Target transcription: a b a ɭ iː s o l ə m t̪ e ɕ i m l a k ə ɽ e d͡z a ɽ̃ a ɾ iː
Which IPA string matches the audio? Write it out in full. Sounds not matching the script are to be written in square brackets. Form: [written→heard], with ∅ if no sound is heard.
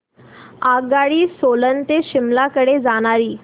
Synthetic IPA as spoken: a [b→ɡ] a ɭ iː s o l ə [m→n] t̪ e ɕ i m l a k ə ɽ e d͡z a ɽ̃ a ɾ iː